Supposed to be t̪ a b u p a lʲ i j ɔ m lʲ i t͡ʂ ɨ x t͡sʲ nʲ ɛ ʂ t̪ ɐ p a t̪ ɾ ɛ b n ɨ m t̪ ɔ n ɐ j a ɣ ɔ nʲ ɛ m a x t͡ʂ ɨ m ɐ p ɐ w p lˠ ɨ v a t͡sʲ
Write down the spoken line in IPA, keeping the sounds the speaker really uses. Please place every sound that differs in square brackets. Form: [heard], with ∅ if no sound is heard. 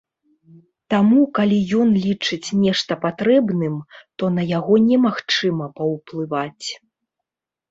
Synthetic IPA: t̪ a [m] u [k] a lʲ i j ɔ [n] lʲ i t͡ʂ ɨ [∅] t͡sʲ nʲ ɛ ʂ t̪ ɐ p a t̪ ɾ ɛ b n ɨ m t̪ ɔ n ɐ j a ɣ ɔ nʲ ɛ m a x t͡ʂ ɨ m ɐ p ɐ w p lˠ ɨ v a t͡sʲ